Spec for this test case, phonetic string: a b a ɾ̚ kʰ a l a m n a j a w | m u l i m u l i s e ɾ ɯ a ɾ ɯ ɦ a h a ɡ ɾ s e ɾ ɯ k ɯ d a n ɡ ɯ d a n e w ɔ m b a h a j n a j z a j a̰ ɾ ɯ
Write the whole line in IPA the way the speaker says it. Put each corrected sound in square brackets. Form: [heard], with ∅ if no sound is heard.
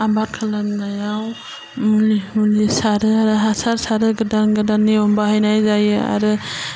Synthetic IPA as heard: a b a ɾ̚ kʰ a l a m n a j a w | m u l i m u l i s [a] ɾ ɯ a ɾ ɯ ɦ a [s] a [∅] ɾ s [a] ɾ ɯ [ɡ] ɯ d a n ɡ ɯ d a n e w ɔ m b a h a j n a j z a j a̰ ɾ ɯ